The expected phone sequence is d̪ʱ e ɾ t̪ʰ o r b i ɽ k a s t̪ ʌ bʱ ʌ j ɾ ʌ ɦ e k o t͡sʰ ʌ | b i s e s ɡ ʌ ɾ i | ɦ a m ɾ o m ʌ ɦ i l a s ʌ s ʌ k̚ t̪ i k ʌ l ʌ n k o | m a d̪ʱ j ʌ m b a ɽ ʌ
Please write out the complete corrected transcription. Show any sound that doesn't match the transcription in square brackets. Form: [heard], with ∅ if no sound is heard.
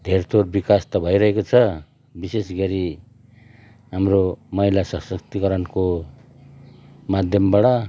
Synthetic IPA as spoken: d̪ʱ e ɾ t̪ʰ o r b i [∅] k a s t̪ ʌ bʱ ʌ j ɾ ʌ ɦ e k o t͡sʰ ʌ | b i s e s ɡ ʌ ɾ i | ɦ a m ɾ o m ʌ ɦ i l a s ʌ s ʌ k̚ t̪ i k ʌ [ɾ] ʌ n k o | m a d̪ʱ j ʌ m b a ɽ ʌ